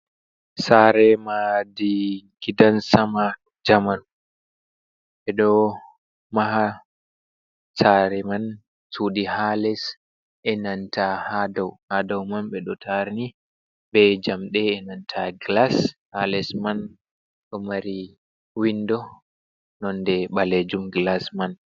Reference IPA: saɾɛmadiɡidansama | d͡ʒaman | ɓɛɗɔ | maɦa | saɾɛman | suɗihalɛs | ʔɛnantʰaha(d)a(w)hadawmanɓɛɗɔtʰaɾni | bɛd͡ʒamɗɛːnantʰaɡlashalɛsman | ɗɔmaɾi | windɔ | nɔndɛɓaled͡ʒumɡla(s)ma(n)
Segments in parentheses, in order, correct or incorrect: correct, correct, correct, correct

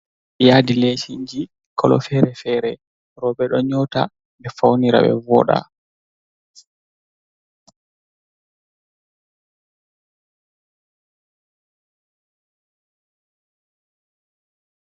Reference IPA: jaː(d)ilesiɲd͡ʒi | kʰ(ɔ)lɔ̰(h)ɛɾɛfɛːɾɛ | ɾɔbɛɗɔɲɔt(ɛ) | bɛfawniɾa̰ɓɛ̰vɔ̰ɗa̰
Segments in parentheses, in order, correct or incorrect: correct, correct, incorrect: f, incorrect: a

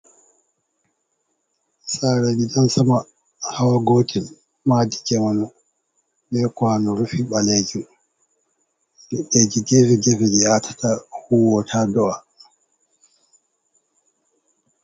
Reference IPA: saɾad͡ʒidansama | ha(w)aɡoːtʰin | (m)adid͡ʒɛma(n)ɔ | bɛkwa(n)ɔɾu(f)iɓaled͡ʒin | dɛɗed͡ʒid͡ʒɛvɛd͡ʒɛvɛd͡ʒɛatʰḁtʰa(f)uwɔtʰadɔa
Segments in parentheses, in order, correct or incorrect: correct, correct, correct, correct, correct, incorrect: h

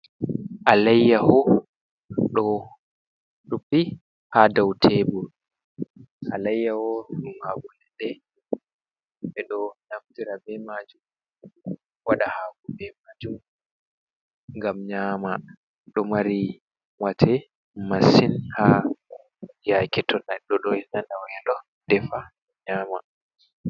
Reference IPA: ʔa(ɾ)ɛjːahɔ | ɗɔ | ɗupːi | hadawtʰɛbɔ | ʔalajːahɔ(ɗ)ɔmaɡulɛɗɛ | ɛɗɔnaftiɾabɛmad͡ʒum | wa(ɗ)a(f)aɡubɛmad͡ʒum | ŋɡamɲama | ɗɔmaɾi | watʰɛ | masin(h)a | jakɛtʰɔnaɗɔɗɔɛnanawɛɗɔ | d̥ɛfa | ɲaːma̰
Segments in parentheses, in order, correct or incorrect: incorrect: l, correct, correct, incorrect: h, correct

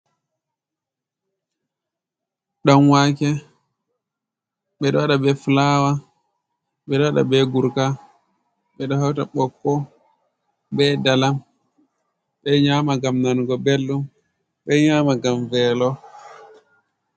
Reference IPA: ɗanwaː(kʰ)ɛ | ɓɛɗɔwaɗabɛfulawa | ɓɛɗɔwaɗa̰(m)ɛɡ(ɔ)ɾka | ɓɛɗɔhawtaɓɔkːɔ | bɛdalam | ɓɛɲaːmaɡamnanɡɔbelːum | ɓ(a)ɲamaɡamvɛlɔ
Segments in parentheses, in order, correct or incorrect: incorrect: k, incorrect: b, incorrect: u, incorrect: ɛ

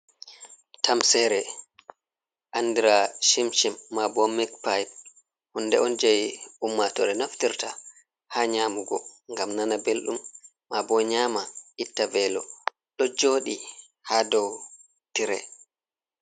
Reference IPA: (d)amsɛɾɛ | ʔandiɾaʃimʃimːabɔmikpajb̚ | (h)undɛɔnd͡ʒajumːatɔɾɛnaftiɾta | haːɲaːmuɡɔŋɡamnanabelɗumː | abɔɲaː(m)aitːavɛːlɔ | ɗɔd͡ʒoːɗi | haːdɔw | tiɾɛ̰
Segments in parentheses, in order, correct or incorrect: incorrect: t, correct, correct

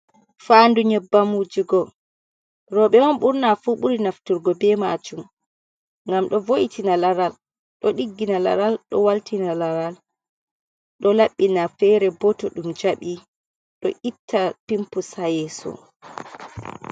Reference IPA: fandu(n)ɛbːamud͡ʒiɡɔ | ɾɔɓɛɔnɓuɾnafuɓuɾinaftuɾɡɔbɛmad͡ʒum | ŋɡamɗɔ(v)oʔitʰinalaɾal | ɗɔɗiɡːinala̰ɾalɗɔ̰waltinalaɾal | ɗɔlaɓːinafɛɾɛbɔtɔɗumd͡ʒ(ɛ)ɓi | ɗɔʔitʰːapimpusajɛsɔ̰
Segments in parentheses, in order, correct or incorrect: incorrect: ɲ, correct, incorrect: a

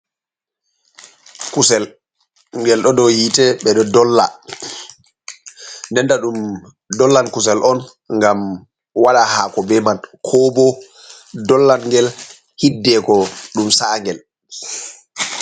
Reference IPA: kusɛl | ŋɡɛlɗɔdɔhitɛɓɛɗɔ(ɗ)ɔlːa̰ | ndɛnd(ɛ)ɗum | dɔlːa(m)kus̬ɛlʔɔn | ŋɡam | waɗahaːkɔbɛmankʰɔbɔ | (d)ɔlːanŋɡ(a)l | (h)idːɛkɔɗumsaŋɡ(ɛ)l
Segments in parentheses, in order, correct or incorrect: incorrect: d, incorrect: a, incorrect: n, correct, incorrect: ɛ, correct, correct

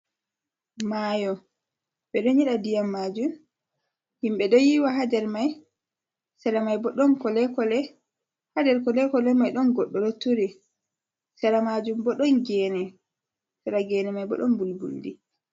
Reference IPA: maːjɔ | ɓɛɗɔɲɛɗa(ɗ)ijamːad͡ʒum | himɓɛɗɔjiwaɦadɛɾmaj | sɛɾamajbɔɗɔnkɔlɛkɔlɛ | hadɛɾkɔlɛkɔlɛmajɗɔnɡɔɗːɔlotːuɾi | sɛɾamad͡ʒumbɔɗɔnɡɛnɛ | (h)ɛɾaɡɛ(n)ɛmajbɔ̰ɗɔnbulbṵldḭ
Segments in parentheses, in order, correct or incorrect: incorrect: d, incorrect: s, correct

